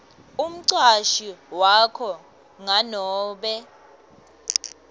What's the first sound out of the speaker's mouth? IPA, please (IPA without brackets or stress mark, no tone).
u